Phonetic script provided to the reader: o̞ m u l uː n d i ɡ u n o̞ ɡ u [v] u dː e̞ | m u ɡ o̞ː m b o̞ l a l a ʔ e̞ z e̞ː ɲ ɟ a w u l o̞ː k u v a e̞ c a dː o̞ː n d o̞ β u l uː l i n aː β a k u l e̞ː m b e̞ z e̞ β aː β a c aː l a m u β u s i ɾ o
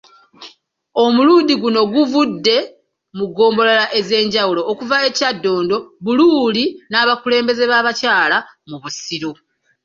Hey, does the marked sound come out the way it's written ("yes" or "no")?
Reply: yes